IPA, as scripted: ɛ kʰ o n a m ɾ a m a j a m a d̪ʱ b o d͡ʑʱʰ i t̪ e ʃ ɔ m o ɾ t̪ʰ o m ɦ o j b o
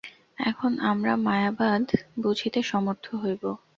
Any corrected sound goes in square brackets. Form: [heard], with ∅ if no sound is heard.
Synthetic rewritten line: ɛ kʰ o n a m ɾ a m a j a [b] a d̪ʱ b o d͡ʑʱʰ i t̪ e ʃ ɔ m o ɾ t̪ʰ o [∅] ɦ o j b o